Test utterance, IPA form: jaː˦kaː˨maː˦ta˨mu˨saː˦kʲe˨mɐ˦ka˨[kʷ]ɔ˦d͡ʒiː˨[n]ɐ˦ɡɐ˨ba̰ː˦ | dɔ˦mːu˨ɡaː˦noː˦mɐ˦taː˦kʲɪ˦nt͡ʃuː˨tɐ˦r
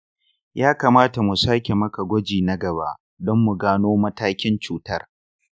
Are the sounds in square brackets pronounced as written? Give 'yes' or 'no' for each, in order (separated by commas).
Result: no, yes